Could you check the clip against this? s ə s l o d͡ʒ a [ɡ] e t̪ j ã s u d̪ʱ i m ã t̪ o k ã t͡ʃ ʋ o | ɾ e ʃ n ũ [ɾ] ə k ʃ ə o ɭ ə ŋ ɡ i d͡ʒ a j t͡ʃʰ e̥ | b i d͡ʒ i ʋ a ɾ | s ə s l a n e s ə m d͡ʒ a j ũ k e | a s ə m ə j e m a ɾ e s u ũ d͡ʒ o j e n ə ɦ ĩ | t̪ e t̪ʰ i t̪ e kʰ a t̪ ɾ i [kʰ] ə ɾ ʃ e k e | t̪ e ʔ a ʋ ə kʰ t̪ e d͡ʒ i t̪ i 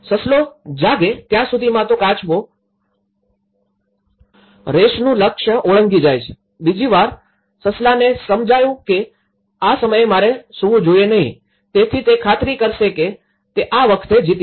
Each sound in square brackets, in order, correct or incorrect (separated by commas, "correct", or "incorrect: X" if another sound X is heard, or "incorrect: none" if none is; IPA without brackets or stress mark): correct, incorrect: l, incorrect: k